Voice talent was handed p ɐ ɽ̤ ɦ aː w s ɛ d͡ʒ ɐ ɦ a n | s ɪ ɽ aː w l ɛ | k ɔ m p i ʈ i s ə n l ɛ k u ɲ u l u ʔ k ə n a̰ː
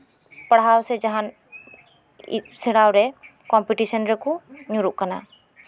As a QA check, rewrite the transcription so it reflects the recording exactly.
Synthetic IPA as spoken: p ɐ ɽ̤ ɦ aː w s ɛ d͡ʒ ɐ ɦ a n | s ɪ ɽ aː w ɾ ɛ | k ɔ m p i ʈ i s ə n ɾ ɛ k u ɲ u ɾ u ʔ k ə n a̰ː